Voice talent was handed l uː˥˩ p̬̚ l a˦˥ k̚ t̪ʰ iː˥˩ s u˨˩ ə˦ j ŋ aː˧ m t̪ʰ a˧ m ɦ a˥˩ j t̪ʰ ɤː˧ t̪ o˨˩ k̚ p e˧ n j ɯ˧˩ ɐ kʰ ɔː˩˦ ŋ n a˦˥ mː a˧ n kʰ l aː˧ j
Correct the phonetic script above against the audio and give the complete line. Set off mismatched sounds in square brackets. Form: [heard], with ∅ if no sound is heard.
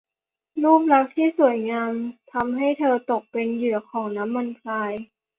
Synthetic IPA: l uː˥˩ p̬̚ l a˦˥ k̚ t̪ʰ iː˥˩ s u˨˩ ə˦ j ŋ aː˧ m t̪ʰ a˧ m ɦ a˥˩ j t̪ʰ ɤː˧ t̪ o˨˩ k̚ p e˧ n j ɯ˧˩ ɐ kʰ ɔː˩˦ ŋ n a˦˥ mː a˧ n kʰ l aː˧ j